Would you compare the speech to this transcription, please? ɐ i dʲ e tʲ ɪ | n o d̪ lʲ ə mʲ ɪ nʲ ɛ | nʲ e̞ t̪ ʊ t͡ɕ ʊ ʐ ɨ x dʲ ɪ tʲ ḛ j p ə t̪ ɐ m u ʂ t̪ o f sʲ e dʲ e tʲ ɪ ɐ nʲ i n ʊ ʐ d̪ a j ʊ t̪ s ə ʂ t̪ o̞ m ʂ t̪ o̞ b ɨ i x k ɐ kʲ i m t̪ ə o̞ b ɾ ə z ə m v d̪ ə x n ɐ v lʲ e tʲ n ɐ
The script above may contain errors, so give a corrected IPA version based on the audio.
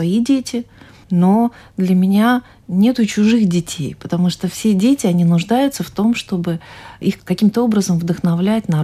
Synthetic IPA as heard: ɐ i dʲ e tʲ ɪ | n o d̪ lʲ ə mʲ ɪ nʲ a | nʲ e̞ t̪ ʊ t͡ɕ ʊ ʐ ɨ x dʲ ɪ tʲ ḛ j p ə t̪ ɐ m u ʂ t̪ o f sʲ e dʲ e tʲ ɪ ɐ nʲ i n ʊ ʐ d̪ a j ʊ t̪ s ə f t̪ o̞ m ʂ t̪ o̞ b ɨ i x k ɐ kʲ i m t̪ ə o̞ b ɾ ə z ə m v d̪ ə x n ɐ v lʲ æ tʲ n ɐ